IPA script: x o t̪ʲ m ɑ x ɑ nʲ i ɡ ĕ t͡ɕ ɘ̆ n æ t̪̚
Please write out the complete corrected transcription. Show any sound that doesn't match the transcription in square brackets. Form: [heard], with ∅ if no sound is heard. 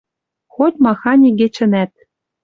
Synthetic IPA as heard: x o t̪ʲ m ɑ x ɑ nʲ i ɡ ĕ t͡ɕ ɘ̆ n æ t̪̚